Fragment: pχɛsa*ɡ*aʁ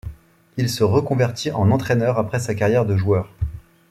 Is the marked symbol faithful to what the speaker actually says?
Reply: no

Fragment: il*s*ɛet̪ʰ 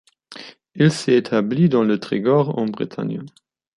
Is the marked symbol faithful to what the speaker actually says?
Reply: yes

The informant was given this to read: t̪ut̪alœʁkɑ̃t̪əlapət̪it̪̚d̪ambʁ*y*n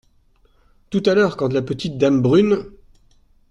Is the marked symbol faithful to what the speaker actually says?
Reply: yes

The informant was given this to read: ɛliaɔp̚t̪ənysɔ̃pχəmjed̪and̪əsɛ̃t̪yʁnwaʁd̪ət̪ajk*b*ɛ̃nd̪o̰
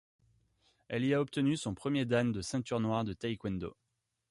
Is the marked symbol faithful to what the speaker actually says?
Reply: no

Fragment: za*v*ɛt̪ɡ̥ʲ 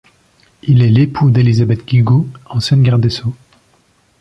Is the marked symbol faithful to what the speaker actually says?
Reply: no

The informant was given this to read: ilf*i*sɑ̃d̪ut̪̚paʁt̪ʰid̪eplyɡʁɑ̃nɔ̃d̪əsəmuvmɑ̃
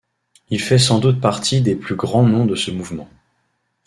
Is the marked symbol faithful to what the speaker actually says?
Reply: no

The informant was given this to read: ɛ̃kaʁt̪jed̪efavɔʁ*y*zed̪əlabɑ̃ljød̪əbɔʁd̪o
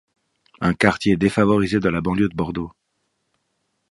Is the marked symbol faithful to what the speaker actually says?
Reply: no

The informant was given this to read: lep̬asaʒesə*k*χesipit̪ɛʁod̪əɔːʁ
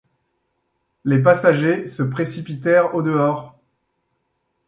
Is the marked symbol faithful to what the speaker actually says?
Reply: no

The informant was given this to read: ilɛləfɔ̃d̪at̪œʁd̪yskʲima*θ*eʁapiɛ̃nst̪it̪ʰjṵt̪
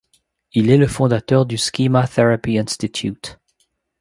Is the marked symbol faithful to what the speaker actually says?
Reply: yes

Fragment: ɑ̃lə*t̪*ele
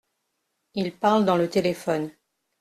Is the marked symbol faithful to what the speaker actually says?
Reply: yes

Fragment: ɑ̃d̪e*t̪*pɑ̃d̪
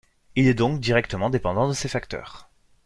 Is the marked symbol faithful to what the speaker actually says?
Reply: no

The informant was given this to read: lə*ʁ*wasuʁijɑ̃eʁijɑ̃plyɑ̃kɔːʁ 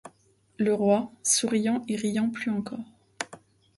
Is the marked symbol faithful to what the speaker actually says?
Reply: yes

